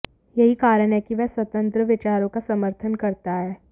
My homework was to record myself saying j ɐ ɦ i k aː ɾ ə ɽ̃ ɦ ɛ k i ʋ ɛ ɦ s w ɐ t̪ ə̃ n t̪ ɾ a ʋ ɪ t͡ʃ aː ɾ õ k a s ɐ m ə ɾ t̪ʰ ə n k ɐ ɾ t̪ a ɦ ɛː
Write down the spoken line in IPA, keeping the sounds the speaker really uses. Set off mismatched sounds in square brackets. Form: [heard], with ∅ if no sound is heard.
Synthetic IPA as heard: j ɐ ɦ i k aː ɾ ə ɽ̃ ɦ ɛ k i ʋ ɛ ɦ s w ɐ t̪ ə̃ n t̪ ɾ [ə] ʋ ɪ t͡ʃ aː ɾ õ k a s ɐ m ə ɾ t̪ʰ ə n k ɐ ɾ t̪ a ɦ ɛː